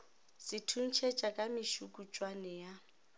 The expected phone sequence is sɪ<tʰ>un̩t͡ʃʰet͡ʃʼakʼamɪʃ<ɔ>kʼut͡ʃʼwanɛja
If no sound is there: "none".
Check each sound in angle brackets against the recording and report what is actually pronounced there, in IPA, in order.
tʰ, u

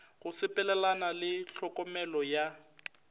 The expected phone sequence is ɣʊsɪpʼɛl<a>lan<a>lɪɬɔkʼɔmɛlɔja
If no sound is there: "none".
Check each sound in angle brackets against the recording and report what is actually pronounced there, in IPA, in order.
ɛ, a

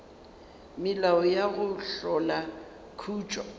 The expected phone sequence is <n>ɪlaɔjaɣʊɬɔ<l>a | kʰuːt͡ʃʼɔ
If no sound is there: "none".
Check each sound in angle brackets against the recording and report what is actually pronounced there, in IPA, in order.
m, l

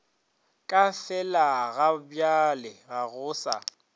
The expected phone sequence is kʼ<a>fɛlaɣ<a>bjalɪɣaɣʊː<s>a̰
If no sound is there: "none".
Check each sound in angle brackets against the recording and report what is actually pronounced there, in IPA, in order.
a, a, s

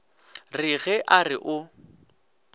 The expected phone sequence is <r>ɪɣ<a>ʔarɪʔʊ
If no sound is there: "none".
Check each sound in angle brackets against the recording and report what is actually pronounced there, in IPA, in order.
r, ɛ

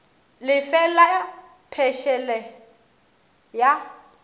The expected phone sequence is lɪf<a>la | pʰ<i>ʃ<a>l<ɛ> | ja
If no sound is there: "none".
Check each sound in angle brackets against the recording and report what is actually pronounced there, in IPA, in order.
ɛ, ɛ, ɛ, ɛ

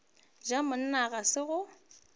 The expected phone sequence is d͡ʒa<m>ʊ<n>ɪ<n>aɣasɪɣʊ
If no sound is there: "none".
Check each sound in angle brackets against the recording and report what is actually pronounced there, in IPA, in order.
m, n, n

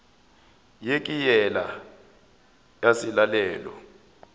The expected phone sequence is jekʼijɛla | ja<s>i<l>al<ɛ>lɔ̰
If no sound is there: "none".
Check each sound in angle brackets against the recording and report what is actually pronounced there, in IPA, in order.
s, l, ɛː

